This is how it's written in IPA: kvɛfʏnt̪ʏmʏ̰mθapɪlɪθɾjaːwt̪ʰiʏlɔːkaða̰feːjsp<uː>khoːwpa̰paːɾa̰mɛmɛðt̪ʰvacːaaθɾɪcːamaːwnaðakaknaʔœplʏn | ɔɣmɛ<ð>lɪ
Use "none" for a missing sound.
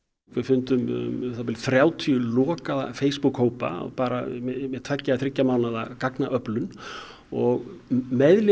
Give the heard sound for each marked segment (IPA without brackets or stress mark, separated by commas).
u, ð